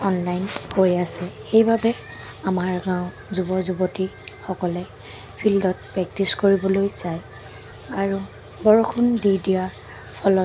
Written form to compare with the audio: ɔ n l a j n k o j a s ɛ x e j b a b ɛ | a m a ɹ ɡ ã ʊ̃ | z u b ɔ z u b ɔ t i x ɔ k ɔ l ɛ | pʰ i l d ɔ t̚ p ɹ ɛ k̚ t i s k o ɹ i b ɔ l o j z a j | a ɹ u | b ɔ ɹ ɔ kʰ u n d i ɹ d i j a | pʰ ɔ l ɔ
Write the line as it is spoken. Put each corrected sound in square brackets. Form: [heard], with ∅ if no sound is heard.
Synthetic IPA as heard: ɔ n l a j n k o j a s ɛ x e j b a b ɛ | a m a ɹ ɡ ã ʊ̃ | z u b ɔ z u b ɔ t i x ɔ k ɔ l ɛ | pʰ i l d ɔ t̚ p ɹ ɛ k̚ t i s k o ɹ i b ɔ l o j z a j | a ɹ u | b ɔ ɹ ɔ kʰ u n d i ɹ d i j a | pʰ ɔ l ɔ